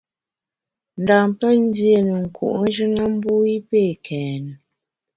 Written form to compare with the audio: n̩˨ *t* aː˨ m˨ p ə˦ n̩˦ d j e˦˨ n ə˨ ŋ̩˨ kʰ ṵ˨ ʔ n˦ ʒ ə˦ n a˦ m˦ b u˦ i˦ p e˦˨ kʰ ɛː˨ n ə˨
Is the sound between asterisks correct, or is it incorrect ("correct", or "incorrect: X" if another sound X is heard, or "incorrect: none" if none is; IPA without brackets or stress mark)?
incorrect: d